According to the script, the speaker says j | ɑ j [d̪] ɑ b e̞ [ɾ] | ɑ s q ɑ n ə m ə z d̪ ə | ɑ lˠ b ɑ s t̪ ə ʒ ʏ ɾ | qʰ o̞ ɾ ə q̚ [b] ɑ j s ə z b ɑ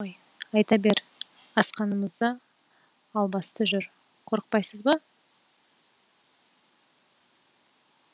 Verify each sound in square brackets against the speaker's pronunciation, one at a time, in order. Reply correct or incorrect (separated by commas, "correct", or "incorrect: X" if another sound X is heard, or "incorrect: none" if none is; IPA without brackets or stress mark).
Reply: incorrect: t̪, correct, incorrect: p